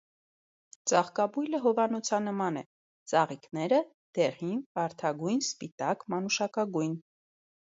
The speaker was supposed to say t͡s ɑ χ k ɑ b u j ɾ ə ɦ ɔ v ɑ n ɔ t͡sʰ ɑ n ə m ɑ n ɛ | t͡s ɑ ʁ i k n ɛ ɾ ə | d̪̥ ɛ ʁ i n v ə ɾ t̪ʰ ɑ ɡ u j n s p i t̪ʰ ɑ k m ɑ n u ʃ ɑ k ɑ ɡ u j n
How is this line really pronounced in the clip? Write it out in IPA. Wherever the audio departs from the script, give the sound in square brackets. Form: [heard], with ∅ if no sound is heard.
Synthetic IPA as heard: t͡s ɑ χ k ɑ b u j [l] ə ɦ ɔ v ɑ n ɔ t͡sʰ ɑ n ə m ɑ n ɛ | t͡s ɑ ʁ i k n ɛ ɾ ə | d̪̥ ɛ ʁ i n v [ɑ] ɾ t̪ʰ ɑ ɡ u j n s p i [t̪] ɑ k m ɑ n u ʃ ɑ k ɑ ɡ u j n